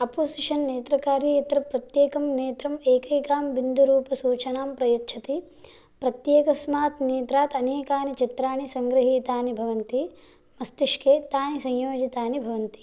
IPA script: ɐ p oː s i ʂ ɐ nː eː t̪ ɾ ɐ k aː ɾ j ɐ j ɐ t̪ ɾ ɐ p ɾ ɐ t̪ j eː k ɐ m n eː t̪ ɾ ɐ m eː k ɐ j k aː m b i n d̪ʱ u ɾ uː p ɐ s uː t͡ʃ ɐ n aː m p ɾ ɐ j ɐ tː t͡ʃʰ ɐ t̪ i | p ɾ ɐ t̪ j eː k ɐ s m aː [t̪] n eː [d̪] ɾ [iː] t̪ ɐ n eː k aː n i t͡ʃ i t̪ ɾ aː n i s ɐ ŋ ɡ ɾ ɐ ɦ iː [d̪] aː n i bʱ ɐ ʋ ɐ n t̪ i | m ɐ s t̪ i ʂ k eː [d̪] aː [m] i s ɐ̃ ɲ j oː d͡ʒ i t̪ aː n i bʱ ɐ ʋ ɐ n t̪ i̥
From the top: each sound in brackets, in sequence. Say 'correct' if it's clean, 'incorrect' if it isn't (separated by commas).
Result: correct, incorrect, incorrect, incorrect, incorrect, incorrect